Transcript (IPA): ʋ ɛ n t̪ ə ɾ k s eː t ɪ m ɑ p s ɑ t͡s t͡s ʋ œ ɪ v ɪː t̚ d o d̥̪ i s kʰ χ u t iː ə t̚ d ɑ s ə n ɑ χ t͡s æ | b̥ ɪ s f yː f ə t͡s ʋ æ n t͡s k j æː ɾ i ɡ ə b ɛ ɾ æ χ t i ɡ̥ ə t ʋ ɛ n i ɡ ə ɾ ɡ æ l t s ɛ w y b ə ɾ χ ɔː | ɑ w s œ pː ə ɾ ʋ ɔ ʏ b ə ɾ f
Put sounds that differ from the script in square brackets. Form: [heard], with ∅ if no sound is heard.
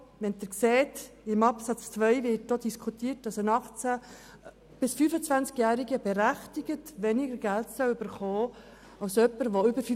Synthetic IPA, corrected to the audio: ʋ ɛ n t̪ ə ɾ k s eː t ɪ m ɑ p s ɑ t͡s t͡s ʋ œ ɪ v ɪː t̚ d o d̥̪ i s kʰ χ u t iː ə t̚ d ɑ s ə n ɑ χ t͡s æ | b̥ ɪ s f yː f ə t͡s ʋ æ n t͡s k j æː ɾ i ɡ ə b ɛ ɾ æ χ t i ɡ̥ ə t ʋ ɛ n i ɡ ə ɾ ɡ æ l t s [œ] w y b ə ɾ χ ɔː | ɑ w s œ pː ə ɾ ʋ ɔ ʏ b ə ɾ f